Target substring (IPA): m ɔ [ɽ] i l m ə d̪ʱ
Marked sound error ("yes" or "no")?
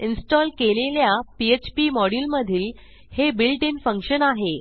no